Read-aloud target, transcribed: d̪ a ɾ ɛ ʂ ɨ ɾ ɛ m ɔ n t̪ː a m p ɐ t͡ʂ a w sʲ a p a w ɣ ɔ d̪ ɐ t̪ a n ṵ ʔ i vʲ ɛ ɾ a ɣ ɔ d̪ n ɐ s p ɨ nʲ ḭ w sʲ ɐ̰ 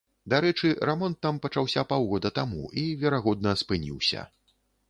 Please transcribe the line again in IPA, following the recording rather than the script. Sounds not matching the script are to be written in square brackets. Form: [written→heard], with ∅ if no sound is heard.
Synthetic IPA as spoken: d̪ a ɾ ɛ [ʂ→t͡ʂ] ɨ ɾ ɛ m ɔ n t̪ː a m p ɐ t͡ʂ a w sʲ a p a w ɣ ɔ d̪ ɐ t̪ a [n→m] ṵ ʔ i vʲ ɛ ɾ a ɣ ɔ d̪ n ɐ s p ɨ nʲ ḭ w sʲ ɐ̰